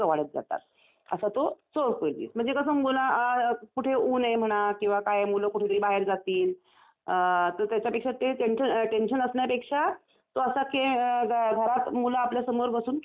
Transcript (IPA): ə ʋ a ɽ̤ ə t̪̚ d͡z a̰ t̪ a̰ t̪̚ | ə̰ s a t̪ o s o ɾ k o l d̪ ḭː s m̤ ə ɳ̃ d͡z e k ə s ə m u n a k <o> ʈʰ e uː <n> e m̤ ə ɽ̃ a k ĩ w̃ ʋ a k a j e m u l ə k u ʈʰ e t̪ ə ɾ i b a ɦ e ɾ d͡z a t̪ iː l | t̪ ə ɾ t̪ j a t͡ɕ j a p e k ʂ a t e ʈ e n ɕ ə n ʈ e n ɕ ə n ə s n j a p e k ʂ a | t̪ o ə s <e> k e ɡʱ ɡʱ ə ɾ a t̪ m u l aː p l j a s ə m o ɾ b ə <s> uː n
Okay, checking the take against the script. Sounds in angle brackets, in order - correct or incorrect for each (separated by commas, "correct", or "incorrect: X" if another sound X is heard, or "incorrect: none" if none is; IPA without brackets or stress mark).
incorrect: u, correct, incorrect: a, correct